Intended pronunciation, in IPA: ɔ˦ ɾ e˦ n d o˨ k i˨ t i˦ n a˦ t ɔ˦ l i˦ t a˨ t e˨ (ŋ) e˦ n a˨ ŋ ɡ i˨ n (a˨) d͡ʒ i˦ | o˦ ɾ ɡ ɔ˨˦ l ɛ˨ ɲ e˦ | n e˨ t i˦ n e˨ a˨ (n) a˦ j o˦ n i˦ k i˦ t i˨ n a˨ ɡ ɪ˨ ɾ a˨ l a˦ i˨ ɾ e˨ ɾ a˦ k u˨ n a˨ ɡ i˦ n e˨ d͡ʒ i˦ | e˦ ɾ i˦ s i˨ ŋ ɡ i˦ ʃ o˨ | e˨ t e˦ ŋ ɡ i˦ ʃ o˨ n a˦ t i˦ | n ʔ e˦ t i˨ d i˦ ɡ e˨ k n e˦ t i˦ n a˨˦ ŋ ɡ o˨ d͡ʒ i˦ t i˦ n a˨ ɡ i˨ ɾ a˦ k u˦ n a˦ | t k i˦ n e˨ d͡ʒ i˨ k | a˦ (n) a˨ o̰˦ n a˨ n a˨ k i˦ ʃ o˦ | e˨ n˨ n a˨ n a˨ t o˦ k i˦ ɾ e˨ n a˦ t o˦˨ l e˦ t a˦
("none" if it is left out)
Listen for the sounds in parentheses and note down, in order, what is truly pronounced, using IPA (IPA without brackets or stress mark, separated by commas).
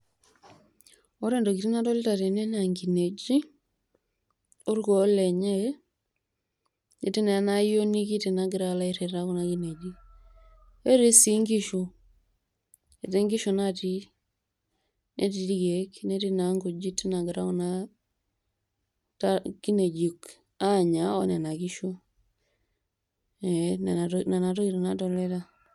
n, e˨, n, ɲ